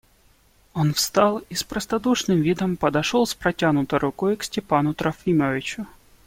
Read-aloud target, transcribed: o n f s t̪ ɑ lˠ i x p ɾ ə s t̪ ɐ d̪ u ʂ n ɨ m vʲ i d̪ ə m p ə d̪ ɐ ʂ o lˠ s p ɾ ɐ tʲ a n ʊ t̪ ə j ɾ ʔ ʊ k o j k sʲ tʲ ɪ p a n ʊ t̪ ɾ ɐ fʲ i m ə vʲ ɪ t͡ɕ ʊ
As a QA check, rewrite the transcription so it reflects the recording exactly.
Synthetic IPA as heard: o n f s t̪ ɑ lˠ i s p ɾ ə s t̪ ɐ d̪ u ʂ n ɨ m vʲ i d̪ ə m p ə d̪ ɐ ʂ o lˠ s p ɾ ɐ tʲ a n ʊ t̪ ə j ɾ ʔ ʊ k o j k sʲ tʲ ɪ p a n ʊ t̪ ɾ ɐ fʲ i m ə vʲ ɪ t͡ɕ ʊ